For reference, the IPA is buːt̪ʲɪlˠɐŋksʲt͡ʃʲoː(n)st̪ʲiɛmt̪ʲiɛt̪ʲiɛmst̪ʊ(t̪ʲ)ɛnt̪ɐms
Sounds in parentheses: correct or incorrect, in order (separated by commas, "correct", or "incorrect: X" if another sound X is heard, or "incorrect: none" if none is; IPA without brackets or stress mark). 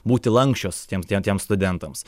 incorrect: none, incorrect: d̪ʲ